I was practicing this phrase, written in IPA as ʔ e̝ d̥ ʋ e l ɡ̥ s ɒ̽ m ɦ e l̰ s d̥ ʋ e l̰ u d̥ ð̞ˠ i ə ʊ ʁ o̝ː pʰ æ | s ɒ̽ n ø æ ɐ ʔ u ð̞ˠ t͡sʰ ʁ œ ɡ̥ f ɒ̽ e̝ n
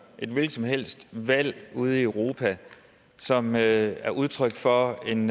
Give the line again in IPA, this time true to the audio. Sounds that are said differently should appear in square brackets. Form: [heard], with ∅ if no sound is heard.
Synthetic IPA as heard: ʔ e̝ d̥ ʋ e l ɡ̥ s ɒ̽ m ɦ e l̰ s d̥ ʋ [æ] l̰ u [∅] ð̞ˠ i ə ʊ ʁ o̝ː pʰ æ | s ɒ̽ [m] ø æ ɐ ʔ u ð̞ˠ t͡sʰ ʁ œ ɡ̥ f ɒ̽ e̝ n